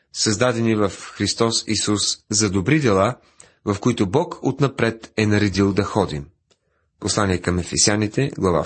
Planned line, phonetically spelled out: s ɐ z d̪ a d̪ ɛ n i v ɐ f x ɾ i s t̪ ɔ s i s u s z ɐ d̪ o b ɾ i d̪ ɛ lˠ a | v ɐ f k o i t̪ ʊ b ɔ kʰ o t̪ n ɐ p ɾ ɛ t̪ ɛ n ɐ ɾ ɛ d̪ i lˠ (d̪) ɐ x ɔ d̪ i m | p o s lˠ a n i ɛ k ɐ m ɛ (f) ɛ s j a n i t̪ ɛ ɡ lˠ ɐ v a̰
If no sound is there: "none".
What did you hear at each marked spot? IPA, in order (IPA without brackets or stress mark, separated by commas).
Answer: d̪, f